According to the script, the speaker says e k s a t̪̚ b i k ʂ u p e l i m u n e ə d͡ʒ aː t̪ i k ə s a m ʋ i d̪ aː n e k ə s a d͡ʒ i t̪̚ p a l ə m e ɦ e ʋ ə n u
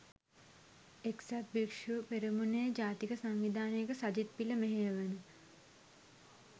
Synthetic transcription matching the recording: e k s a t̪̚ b i k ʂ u p e ɾ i m u n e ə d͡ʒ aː t̪ i k ə s a ŋ ʋ i d̪ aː n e k ə s a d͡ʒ i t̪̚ p i l ə m e ɦ e ʋ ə n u